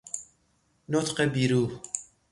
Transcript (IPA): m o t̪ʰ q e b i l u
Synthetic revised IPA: n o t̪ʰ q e b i ɾ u